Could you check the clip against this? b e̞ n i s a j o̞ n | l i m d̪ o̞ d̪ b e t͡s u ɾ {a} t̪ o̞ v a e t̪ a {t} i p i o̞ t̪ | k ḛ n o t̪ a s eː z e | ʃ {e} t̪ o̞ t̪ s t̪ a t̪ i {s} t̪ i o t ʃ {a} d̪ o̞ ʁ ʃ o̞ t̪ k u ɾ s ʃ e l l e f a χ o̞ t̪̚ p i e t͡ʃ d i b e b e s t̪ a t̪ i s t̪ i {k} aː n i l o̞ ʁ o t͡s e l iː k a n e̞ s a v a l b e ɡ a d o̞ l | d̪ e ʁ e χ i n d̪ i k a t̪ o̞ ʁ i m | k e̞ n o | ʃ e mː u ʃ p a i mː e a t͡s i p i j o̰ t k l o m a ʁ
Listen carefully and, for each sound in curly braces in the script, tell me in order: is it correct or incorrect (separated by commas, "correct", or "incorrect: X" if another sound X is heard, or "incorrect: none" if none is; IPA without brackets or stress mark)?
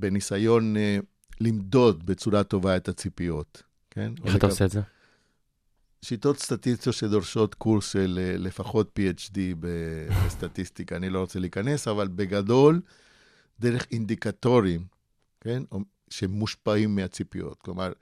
correct, incorrect: t͡s, incorrect: i, correct, incorrect: e, correct